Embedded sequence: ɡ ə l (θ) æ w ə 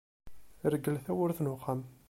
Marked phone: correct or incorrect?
correct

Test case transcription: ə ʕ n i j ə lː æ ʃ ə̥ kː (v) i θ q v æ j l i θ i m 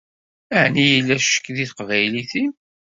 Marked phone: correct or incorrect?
incorrect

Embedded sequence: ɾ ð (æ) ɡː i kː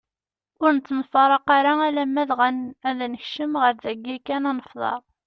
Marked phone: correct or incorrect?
correct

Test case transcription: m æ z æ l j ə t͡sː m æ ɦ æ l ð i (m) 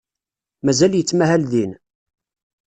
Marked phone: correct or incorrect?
incorrect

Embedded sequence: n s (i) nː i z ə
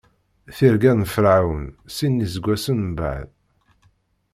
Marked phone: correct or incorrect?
correct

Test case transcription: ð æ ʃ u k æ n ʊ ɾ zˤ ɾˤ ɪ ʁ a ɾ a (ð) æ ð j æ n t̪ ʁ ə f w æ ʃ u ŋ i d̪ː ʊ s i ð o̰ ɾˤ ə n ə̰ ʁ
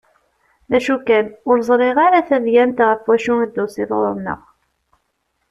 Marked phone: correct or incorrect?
incorrect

